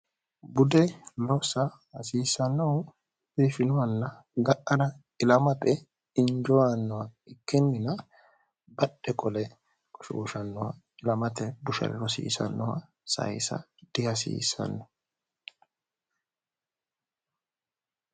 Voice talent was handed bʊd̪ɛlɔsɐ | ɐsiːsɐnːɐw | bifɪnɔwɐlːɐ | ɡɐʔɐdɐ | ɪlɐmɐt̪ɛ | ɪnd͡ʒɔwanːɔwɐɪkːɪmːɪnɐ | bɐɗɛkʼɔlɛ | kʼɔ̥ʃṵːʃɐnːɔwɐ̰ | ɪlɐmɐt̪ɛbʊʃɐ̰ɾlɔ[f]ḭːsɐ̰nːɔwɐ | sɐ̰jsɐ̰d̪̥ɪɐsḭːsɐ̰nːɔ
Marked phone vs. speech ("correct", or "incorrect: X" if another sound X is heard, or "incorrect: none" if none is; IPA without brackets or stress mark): incorrect: s